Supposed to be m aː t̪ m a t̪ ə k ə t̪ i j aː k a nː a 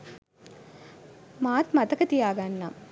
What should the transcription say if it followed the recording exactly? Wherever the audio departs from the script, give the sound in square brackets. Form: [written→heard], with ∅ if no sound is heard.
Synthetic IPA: m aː t̪ m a t̪ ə k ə t̪ i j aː [k→ɡ] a nː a